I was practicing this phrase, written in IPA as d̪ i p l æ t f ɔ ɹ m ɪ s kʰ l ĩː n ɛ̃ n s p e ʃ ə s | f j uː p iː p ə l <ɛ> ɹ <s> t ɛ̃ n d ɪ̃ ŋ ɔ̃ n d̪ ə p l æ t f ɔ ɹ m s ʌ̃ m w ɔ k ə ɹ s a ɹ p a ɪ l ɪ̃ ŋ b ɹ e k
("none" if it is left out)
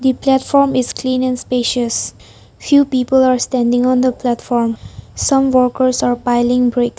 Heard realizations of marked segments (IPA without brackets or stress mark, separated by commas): a, s